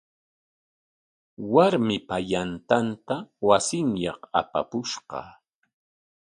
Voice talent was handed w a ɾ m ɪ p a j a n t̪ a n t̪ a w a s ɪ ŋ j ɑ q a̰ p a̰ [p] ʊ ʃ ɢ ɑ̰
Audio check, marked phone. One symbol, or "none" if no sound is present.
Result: p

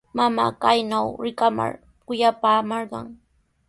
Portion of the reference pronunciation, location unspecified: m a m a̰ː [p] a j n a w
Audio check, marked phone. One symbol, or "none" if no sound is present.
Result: k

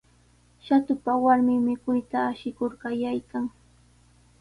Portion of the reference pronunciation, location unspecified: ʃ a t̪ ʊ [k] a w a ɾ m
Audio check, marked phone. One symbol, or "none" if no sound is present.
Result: p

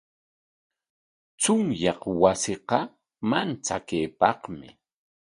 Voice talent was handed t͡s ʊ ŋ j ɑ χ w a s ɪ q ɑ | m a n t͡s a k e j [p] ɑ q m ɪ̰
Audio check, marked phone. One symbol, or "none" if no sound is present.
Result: p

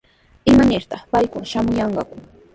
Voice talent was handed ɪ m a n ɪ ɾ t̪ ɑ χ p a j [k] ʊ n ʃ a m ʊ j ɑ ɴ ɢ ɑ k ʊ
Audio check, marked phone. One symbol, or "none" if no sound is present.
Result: k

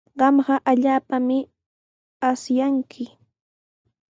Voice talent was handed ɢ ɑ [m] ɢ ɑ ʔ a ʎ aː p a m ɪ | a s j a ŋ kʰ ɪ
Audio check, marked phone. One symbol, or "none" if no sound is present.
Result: m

